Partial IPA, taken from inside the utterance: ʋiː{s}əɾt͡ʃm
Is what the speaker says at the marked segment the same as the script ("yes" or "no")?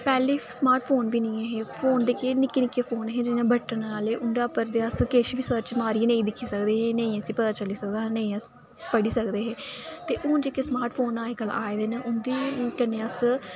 yes